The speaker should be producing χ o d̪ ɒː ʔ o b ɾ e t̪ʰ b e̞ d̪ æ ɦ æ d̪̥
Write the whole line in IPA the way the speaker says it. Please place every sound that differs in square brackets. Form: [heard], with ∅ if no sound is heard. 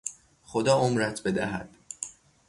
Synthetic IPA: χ o d̪ ɒː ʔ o [m] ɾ [æ] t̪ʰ b e̞ d̪ æ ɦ æ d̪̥

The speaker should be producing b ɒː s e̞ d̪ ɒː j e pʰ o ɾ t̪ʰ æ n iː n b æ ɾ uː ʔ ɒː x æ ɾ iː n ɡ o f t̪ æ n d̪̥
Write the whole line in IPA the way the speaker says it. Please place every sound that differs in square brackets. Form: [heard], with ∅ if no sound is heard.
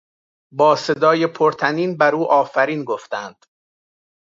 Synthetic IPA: b ɒː s e̞ d̪ ɒː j e pʰ o ɾ t̪ʰ æ n iː n b æ ɾ uː ʔ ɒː [f] æ ɾ iː n ɡ o f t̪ æ n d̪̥

